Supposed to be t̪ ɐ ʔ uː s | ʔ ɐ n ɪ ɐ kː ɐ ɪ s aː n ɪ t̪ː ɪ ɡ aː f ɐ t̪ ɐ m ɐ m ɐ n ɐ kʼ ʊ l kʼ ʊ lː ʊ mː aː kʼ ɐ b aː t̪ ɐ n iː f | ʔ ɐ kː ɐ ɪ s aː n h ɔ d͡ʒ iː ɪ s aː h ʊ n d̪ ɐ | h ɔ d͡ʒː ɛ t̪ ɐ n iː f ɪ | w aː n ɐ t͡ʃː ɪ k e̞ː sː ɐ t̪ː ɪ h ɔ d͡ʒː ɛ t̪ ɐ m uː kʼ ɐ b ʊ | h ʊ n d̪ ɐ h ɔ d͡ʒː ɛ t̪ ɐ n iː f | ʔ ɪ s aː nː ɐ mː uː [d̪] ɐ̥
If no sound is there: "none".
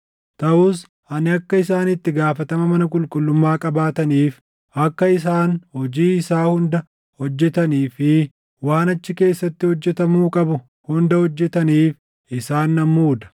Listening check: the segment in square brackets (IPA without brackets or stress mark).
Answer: d̪